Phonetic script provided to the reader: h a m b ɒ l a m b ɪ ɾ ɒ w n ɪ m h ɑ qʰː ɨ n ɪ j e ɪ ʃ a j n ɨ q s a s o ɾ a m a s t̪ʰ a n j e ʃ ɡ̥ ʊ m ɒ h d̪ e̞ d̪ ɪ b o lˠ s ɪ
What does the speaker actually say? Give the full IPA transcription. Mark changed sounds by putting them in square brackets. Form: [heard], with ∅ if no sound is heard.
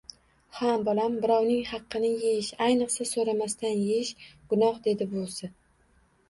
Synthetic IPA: h a m b ɒ l a m b ɪ ɾ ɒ w n ɪ [ŋ] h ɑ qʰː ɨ n ɪ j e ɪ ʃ a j n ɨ q s a s o ɾ a m a s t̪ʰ a n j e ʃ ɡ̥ ʊ [n] ɒ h d̪ e̞ d̪ ɪ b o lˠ s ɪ